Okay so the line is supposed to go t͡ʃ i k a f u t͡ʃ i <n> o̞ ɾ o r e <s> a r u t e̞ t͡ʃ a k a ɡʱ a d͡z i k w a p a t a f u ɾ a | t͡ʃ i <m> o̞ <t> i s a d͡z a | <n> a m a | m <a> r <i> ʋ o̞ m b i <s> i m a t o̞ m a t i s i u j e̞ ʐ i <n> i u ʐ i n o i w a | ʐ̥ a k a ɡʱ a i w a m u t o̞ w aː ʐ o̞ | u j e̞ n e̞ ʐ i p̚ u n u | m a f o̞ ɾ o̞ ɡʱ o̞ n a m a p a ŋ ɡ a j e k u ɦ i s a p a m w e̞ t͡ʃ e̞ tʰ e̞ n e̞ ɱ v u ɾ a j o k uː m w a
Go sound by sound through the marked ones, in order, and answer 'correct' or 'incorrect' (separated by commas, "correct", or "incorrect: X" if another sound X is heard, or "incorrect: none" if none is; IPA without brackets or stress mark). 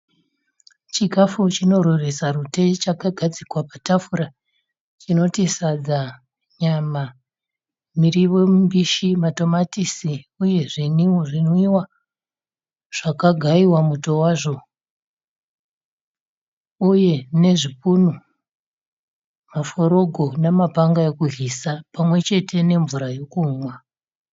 correct, correct, incorrect: n, correct, incorrect: ɲ, incorrect: i, correct, incorrect: ʃ, correct